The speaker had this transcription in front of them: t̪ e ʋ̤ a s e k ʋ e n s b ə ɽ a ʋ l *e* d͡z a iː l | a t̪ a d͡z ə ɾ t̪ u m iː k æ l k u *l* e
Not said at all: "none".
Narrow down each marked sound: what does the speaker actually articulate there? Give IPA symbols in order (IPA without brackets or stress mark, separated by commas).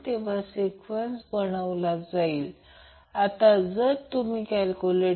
a, l